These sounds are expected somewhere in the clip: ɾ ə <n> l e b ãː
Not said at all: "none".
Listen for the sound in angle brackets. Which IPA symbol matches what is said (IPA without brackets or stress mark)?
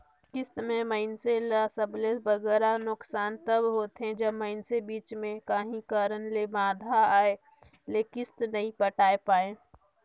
n